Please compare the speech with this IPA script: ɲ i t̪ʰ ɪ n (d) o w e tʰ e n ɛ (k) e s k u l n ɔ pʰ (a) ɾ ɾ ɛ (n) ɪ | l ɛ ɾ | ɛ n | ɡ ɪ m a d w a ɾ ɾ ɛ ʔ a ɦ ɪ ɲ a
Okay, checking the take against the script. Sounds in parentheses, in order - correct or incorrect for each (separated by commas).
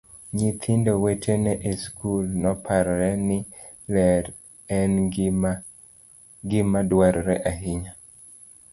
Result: correct, incorrect, correct, correct